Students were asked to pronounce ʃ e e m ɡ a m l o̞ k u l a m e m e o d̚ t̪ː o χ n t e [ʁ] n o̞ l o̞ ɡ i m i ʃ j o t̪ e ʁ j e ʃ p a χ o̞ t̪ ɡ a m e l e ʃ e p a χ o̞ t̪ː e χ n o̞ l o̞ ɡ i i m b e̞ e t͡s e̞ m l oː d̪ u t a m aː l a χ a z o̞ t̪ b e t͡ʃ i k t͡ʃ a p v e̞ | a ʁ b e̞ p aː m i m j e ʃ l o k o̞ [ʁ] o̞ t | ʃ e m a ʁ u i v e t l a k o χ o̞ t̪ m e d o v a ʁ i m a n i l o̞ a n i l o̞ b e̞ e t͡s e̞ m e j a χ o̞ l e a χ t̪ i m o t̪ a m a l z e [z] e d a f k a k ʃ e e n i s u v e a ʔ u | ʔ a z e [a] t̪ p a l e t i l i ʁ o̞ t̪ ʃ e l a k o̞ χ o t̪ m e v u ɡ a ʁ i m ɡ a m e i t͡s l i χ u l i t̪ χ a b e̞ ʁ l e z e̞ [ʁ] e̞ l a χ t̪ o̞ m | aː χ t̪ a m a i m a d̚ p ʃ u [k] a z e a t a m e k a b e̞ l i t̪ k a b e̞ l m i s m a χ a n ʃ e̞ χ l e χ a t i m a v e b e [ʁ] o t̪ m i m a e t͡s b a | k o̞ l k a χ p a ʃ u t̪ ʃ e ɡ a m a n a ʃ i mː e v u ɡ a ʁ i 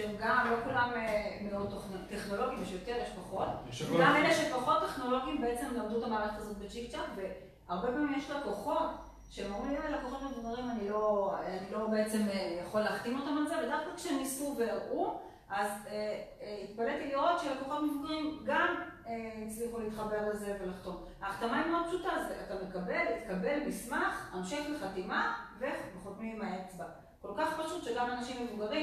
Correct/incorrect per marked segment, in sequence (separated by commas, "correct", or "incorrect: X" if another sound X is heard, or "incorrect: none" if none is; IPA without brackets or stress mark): incorrect: χ, incorrect: χ, incorrect: v, incorrect: i, incorrect: v, incorrect: t, incorrect: χ